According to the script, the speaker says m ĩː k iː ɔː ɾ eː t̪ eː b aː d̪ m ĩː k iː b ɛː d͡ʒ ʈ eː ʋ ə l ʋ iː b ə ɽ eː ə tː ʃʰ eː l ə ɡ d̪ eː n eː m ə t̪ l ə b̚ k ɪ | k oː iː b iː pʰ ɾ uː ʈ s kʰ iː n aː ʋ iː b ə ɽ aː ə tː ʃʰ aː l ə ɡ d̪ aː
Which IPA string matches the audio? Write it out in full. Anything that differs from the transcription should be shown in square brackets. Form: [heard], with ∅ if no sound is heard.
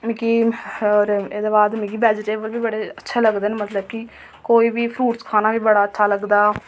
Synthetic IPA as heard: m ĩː k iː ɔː ɾ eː [d̪] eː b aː d̪ m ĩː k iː b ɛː d͡ʒ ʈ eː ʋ ə l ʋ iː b ə ɽ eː ə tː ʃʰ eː l ə ɡ d̪ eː n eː m ə t̪ l ə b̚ k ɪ | k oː iː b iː pʰ ɾ uː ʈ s kʰ [aː] n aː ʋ iː b ə ɽ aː ə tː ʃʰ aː l ə ɡ d̪ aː